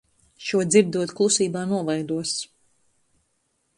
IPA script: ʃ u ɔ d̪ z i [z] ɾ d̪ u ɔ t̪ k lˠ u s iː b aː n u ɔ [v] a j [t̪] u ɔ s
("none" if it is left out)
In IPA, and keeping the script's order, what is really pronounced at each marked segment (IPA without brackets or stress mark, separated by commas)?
none, v, d̪